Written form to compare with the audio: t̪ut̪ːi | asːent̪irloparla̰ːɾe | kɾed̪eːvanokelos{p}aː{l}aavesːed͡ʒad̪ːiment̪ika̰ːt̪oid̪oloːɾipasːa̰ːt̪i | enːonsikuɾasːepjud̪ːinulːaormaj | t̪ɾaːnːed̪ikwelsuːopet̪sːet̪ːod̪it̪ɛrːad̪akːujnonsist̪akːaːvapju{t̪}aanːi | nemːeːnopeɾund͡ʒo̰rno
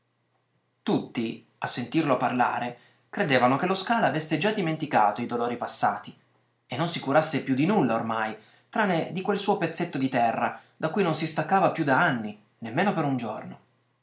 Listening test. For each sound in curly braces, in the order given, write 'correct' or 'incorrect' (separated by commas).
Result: incorrect, correct, incorrect